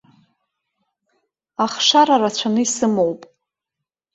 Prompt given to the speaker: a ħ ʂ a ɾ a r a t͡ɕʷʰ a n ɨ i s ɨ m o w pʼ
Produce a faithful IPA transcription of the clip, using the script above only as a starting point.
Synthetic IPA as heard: a χ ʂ a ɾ a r a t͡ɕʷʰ a n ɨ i s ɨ m o w pʼ